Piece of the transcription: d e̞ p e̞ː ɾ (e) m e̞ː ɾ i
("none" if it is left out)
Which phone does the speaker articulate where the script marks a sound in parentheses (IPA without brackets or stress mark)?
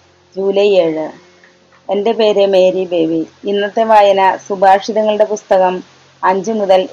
e